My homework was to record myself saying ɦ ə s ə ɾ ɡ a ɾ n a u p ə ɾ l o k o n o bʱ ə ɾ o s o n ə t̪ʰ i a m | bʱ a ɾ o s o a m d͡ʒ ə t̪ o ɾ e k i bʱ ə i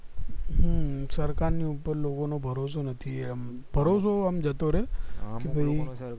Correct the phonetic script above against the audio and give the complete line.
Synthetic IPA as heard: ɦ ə s ə ɾ k a ɾ n i u p ə ɾ l o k o n o bʱ ə ɾ o s o n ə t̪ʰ i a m | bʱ ə ɾ o s o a m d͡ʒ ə t̪ o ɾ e k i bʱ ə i